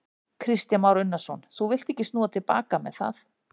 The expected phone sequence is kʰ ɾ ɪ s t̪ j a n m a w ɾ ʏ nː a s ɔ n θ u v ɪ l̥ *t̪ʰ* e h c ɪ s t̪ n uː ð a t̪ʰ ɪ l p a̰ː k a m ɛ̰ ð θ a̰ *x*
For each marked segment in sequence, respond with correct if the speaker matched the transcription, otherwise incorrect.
incorrect: t̪, incorrect: θ

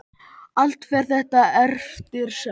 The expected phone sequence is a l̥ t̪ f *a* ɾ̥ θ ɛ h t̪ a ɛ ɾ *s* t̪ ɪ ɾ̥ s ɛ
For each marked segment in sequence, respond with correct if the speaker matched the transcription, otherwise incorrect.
incorrect: ɛ, incorrect: f

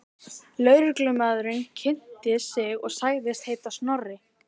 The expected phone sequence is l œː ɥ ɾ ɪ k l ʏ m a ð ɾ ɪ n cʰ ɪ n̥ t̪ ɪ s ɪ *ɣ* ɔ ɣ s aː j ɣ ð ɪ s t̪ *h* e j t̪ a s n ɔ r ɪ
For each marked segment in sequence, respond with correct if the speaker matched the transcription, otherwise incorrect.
correct, correct

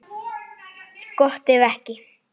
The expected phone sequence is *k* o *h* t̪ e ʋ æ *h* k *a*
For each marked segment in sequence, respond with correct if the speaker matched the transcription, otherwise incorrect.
correct, correct, correct, incorrect: i

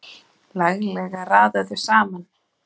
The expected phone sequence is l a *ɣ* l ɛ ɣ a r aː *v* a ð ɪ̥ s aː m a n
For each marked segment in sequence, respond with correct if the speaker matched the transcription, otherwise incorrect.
correct, incorrect: ð

